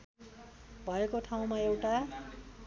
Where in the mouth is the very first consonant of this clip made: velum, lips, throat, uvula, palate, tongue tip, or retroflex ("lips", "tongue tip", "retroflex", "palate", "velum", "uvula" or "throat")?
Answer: lips